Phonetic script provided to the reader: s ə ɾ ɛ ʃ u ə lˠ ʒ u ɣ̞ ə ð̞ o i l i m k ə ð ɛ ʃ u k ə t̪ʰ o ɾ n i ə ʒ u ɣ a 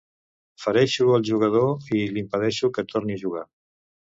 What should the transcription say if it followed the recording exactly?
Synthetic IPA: f ə ɾ ɛ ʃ u ə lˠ ʒ u ɣ̞ ə ð̞ o i l i m p ə ð ɛ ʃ u k ə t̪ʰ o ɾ n i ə ʒ u ɣ a